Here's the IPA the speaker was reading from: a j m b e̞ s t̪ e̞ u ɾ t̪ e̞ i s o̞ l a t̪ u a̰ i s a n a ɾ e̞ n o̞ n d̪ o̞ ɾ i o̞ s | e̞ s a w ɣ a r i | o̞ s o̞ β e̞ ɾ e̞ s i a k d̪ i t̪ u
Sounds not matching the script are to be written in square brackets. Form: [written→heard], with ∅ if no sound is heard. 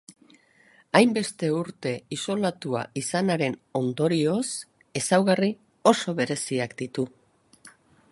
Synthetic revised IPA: a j m b e̞ s t̪ e̞ u ɾ t̪ e̞ i s o̞ l a t̪ u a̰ i s a n a ɾ e̞ n o̞ n d̪ o̞ ɾ i o̞ s | e̞ s a w ɣ a r i | o̞ s o̞ β e̞ ɾ e̞ s i a k d̪ i t̪ u